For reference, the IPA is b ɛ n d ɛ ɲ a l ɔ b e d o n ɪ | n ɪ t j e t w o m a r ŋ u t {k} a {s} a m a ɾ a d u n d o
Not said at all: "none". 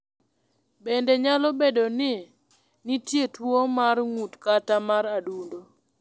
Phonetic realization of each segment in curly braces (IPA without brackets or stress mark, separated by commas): k, t